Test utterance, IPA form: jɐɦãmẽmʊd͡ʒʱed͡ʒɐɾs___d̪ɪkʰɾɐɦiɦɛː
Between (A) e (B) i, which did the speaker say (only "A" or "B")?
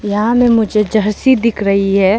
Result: B